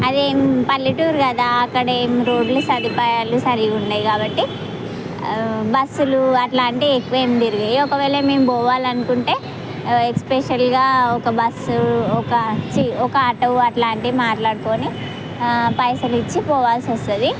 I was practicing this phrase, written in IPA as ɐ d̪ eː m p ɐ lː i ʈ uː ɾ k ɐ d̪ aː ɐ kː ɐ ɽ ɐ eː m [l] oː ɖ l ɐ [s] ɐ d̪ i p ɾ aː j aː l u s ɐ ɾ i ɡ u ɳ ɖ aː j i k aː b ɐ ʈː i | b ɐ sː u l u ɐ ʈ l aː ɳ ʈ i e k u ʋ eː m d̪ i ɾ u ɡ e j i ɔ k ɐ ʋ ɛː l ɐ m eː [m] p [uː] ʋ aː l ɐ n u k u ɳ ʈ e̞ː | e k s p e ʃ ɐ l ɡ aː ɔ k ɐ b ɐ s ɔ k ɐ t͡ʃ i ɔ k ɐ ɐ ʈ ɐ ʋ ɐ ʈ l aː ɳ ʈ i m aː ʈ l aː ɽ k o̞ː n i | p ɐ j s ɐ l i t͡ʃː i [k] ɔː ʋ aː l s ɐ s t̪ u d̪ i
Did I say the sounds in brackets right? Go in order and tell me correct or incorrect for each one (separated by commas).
incorrect, correct, correct, incorrect, incorrect